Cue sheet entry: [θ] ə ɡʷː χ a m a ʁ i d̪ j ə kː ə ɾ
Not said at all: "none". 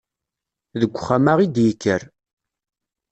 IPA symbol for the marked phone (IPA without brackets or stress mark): ð